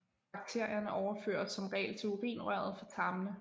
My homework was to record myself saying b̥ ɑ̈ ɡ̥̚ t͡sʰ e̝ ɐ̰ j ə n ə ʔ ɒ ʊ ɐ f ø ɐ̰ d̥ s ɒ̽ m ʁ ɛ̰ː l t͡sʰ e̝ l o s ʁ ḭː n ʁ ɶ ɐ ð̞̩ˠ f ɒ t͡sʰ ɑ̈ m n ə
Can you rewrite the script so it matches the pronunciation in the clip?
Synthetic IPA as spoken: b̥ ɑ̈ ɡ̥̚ t͡sʰ e̝ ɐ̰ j ɐ n ə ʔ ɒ ʊ ɐ f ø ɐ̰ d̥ s ɒ̽ m ʁ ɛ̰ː l t͡sʰ e̝ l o ʁ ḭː n ʁ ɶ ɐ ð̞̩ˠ f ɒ t͡sʰ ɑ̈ m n ə